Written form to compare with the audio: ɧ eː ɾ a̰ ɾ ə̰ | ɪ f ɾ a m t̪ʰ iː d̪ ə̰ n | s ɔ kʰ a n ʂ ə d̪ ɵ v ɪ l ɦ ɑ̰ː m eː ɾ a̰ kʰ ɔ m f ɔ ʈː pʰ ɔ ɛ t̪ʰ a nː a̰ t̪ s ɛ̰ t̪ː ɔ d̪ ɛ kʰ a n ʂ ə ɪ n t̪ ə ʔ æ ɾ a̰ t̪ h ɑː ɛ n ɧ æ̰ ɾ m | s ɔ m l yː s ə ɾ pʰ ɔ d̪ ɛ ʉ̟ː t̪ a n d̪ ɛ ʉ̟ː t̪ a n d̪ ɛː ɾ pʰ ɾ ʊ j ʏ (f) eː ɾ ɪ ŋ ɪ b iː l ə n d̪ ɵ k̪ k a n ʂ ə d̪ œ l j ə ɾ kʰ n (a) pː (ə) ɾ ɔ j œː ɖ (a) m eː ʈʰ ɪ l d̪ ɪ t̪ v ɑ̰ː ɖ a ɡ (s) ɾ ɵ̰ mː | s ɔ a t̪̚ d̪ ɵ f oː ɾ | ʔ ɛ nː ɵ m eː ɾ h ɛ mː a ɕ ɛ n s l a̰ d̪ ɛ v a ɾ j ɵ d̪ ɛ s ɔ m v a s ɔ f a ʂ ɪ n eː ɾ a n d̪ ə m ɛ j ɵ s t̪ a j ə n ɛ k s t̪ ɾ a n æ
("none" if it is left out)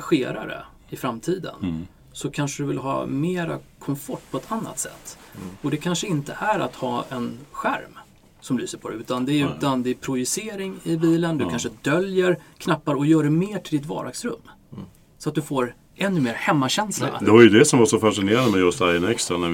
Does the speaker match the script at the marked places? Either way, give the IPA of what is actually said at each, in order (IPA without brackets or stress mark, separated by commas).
s, a, a, ɛ, s